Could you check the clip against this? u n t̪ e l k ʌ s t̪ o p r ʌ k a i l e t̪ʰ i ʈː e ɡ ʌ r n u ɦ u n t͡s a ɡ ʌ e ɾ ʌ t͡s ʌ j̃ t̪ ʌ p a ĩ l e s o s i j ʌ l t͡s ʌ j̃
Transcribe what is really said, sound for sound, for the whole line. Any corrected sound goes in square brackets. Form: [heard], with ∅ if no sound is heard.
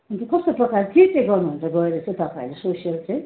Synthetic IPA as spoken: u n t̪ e [∅] k ʌ s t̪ o p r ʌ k a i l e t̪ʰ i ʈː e ɡ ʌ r n u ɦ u n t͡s a ɡ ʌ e ɾ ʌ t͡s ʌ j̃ t̪ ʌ p a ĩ l e s o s i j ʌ l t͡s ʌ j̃